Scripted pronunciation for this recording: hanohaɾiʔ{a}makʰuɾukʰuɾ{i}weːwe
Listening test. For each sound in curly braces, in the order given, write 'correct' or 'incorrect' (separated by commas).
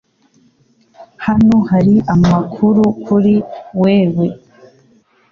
correct, correct